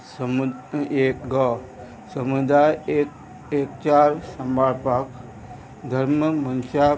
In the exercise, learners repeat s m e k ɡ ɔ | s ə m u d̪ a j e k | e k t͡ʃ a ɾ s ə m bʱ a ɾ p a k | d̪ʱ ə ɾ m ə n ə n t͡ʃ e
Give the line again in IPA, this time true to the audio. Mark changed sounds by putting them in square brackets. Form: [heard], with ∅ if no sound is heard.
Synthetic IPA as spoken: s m e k ɡ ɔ | s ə m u d̪ a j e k | e k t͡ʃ a ɾ s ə m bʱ a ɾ p a k | d̪ʱ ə ɾ m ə [m] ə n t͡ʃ [a]

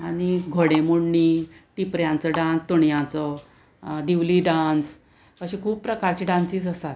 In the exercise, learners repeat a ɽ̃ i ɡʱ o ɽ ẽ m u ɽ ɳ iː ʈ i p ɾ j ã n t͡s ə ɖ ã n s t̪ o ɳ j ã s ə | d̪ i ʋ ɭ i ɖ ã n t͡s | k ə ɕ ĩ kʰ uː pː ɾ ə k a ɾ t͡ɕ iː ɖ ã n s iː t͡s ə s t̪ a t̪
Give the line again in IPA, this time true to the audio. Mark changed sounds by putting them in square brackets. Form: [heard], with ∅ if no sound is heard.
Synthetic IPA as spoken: a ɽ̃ i ɡʱ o ɽ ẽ m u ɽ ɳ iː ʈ i p ɾ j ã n t͡s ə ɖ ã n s t̪ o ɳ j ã [t͡s] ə | d̪ i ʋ [l] i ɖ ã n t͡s | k ə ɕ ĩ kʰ uː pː ɾ ə k a ɾ t͡ɕ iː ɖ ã n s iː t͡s ə s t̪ a t̪

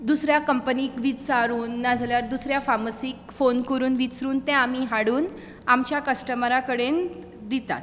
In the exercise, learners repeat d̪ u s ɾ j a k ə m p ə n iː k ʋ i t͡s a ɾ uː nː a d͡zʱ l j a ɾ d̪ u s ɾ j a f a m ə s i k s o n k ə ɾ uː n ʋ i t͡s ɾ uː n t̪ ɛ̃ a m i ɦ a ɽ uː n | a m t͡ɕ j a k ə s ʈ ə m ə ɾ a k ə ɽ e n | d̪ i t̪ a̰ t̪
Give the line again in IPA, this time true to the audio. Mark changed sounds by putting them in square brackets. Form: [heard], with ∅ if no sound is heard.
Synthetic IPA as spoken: d̪ u s ɾ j a k ə m p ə n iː k ʋ i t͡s a ɾ uː nː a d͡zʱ l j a ɾ d̪ u s ɾ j a f a m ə s i k [f] o n k ə ɾ uː n ʋ i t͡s ɾ uː n t̪ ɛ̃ a m i ɦ a ɽ uː n | a m t͡ɕ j a k ə s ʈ ə m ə ɾ a k ə ɽ e n | d̪ i t̪ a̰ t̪

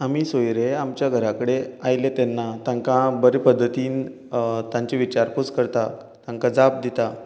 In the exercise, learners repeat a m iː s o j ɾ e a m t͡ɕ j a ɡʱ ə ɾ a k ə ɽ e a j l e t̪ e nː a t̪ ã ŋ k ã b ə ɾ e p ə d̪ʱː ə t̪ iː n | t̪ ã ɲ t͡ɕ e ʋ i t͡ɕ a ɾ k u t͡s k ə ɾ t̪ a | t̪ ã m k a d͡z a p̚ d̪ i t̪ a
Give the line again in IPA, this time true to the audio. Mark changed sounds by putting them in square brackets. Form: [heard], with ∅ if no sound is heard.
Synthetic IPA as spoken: a m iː s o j ɾ e a m t͡ɕ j a ɡʱ ə ɾ a k ə ɽ e a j l e t̪ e nː a t̪ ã ŋ k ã b ə ɾ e p ə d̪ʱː ə t̪ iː n | t̪ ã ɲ t͡ɕ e ʋ i t͡ɕ a ɾ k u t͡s k ə ɾ t̪ a | t̪ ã [ŋ] k a d͡z a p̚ d̪ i t̪ a

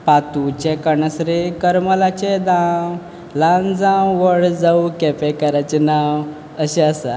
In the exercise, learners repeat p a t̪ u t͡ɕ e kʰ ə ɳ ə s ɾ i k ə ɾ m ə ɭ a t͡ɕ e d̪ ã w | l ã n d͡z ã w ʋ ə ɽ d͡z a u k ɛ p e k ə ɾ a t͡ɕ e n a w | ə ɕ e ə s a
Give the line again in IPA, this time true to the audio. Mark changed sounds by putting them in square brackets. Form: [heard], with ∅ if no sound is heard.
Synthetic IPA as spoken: p a t̪ u t͡ɕ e [k] ə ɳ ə s ɾ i k ə ɾ m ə [l] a t͡ɕ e d̪ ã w | l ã n d͡z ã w ʋ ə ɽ d͡z a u k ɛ p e k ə ɾ a t͡ɕ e n a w | ə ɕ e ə s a

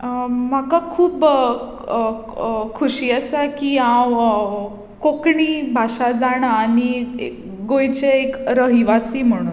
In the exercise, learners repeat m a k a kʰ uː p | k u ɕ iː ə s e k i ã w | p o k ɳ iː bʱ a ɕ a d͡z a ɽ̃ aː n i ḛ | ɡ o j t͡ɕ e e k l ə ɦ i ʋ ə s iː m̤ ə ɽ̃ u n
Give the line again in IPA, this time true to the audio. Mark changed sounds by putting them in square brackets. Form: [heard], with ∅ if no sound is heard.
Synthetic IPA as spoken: m a k a kʰ uː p | [kʰ] u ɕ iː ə s [a] k i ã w | [k] o k ɳ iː bʱ a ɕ a d͡z a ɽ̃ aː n i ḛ | ɡ o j t͡ɕ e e k [ɾ] ə ɦ i ʋ [a] s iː m̤ ə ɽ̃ u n

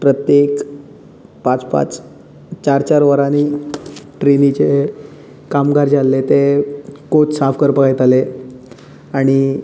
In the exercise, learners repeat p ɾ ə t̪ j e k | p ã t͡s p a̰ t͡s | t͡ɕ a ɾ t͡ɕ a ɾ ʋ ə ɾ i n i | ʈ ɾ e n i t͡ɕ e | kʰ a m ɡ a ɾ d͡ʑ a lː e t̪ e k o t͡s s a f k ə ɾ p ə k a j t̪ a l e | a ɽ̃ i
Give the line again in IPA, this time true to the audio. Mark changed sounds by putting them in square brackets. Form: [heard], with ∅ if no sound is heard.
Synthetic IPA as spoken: p ɾ ə t̪ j e k | p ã t͡s p a̰ t͡s | t͡ɕ a ɾ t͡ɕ a ɾ ʋ ə ɾ [a] n i | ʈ ɾ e n i t͡ɕ e | [k] a m ɡ a ɾ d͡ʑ a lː e t̪ e k o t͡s s a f k ə ɾ p ə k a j t̪ a l e | a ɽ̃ i

